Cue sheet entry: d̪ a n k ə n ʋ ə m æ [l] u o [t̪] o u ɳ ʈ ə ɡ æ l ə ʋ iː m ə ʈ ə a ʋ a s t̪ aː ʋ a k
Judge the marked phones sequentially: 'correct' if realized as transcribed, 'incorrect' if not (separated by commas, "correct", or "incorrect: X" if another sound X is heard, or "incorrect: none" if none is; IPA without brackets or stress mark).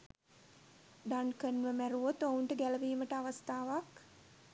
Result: incorrect: ɾ, correct